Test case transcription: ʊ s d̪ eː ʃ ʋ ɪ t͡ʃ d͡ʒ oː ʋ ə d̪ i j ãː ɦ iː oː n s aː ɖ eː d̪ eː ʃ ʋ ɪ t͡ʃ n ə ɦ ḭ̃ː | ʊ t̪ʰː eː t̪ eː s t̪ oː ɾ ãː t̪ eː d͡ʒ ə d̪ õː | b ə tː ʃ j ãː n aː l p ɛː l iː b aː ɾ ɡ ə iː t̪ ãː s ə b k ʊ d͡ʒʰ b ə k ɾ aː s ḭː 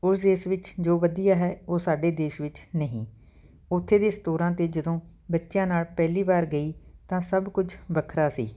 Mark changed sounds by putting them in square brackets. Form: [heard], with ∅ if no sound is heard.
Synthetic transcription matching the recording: ʊ s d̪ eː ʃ ʋ ɪ t͡ʃ d͡ʒ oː ʋ ə d̪ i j [aː] ɦ [ɛː] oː [∅] s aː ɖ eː d̪ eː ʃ ʋ ɪ t͡ʃ n ə ɦ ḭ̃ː | ʊ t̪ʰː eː [d̪] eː s t̪ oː ɾ ãː t̪ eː d͡ʒ ə d̪ õː | b ə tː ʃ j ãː n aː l p ɛː l iː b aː ɾ ɡ ə iː t̪ ãː s ə b k ʊ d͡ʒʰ b ə [kʰ] ɾ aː s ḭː